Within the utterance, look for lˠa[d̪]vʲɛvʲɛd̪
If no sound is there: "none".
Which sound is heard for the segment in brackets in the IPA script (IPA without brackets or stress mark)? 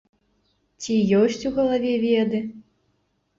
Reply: none